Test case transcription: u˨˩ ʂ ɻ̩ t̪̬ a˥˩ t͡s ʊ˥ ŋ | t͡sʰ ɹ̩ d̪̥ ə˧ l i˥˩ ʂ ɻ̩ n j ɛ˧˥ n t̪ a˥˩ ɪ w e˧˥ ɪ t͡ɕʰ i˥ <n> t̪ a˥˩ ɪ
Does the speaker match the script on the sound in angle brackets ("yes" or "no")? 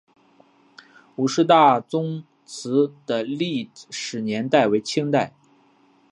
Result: no